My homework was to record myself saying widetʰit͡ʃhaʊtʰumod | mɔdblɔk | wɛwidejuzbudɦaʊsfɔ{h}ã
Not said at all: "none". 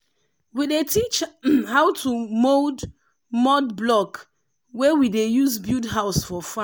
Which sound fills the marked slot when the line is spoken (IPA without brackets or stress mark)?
f